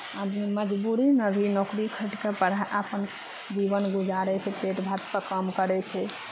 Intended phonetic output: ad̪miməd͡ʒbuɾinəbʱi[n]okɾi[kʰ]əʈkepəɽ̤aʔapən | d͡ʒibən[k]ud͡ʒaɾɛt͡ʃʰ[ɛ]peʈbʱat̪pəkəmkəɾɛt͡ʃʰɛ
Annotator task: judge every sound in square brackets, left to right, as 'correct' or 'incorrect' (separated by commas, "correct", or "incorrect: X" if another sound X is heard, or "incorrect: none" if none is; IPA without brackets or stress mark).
correct, correct, incorrect: ɡ, correct